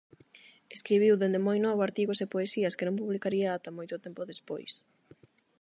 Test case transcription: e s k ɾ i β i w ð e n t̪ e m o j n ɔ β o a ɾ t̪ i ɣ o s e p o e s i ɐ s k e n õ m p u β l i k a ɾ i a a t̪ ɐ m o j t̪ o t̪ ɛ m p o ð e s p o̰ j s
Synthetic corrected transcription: e s k ɾ i β i w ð e n d̪ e m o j n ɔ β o a ɾ t̪ i ɣ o s e p o e s i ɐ s k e n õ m p u β l i k a ɾ i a a t̪ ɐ m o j t̪ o t̪ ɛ m p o ð e s p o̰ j s